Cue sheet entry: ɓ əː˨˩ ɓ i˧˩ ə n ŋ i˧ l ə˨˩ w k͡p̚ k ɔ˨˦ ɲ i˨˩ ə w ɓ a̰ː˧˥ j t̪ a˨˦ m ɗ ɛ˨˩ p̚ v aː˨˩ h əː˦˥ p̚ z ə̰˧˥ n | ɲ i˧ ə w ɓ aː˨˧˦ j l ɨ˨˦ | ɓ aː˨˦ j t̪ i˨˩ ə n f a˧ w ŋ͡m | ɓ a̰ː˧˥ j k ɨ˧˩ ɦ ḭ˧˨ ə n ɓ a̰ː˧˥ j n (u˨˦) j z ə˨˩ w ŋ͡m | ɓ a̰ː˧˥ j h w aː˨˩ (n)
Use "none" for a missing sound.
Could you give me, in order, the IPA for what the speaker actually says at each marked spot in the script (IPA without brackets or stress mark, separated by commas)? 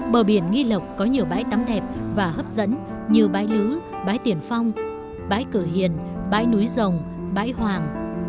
u˨˦, ŋ